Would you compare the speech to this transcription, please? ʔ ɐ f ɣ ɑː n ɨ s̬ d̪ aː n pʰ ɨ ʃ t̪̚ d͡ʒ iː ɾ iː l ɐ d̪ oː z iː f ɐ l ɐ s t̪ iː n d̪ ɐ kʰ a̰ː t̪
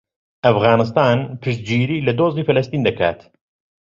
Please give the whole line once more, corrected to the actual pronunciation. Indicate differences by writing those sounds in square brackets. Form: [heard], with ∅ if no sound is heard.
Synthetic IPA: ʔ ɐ f ɣ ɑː n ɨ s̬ [t̪] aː n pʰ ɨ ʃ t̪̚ d͡ʒ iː ɾ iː l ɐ d̪ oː z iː f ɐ l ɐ s t̪ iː n d̪ ɐ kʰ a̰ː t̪